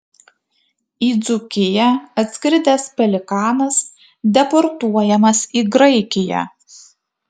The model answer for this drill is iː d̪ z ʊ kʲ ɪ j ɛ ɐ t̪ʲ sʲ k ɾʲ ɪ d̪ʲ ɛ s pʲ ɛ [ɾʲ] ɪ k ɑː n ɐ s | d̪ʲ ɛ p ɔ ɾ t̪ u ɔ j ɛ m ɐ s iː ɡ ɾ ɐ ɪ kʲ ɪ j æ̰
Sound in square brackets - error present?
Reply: yes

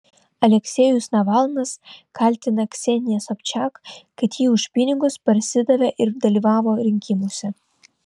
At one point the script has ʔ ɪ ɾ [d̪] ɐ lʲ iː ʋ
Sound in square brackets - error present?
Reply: no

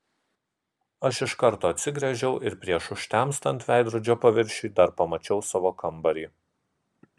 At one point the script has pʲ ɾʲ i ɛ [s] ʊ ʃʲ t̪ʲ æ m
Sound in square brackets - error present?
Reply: yes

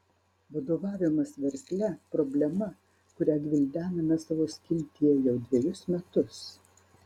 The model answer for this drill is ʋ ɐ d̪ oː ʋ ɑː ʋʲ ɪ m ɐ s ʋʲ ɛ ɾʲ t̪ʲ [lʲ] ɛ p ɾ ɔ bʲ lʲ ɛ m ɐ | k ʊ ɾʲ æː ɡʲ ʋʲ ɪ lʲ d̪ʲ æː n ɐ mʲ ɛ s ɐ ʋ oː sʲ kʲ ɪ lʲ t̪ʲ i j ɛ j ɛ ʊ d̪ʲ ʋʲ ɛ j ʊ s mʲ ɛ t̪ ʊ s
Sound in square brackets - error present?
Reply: no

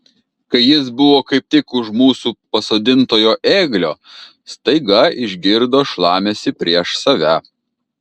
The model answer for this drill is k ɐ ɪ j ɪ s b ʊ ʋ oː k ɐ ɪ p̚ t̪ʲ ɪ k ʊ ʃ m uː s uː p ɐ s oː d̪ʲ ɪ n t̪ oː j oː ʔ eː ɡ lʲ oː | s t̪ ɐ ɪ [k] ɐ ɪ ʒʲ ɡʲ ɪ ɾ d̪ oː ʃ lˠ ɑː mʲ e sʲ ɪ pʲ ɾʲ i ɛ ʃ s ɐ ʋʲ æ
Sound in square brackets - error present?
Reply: yes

